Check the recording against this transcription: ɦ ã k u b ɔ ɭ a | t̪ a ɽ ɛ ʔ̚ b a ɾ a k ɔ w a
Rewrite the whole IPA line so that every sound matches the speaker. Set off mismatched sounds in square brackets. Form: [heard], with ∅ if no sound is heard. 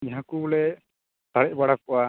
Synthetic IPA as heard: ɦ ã k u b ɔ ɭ [ɛ] | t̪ a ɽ ɛ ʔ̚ b a [ɽ] a k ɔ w a